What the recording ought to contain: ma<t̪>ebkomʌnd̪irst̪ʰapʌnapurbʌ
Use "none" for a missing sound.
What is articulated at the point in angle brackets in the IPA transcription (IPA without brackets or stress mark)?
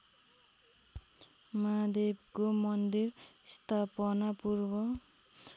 d̪